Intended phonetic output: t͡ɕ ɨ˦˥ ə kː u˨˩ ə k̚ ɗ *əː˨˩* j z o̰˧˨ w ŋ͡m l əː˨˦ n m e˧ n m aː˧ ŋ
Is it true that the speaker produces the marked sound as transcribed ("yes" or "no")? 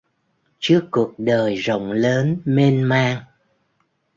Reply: yes